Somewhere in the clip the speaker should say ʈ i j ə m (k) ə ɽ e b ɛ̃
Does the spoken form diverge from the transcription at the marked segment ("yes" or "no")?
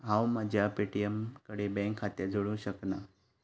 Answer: no